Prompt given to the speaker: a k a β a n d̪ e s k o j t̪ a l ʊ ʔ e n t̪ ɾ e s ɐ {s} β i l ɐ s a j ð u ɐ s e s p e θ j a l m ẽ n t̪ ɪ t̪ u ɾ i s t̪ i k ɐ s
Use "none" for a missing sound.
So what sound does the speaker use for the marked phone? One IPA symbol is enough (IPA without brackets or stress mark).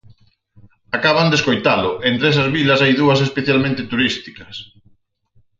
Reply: z